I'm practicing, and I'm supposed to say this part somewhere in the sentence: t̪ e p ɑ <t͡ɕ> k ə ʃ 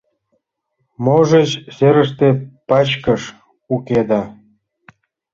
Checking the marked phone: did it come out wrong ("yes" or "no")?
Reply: no